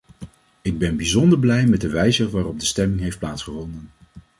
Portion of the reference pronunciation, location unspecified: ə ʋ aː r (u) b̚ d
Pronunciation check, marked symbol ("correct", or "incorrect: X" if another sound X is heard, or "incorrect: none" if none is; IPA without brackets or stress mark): incorrect: ɔ